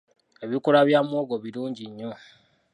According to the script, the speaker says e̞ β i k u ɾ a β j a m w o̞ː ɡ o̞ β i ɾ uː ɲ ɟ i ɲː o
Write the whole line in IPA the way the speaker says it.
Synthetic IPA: e̞ β i k u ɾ a β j a m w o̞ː ɡ o̞ β i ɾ uː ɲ ɟ i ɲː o